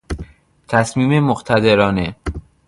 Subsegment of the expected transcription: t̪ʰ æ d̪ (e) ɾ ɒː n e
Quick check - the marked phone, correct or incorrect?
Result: correct